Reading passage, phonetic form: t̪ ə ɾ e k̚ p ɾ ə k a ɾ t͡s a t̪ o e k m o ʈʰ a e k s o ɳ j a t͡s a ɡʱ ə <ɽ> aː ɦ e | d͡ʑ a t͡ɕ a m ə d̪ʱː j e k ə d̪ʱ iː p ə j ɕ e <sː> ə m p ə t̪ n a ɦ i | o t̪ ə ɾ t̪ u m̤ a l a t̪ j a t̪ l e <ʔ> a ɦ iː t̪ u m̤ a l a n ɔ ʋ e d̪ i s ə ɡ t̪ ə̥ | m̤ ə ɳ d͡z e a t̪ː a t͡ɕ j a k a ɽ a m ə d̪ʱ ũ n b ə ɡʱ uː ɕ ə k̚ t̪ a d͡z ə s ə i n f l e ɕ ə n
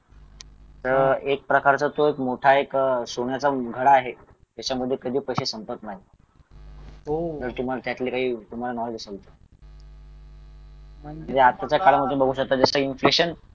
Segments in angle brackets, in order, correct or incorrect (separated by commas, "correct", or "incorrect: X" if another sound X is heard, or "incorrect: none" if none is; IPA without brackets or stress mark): correct, incorrect: s, incorrect: k